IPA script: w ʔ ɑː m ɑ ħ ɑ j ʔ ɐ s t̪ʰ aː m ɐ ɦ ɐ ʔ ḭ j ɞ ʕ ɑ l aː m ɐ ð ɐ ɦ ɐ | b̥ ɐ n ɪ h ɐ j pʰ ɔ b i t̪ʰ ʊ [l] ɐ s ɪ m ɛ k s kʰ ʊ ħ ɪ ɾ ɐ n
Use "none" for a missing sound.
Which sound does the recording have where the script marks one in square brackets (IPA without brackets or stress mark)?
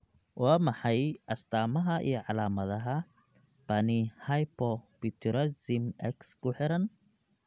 ɾ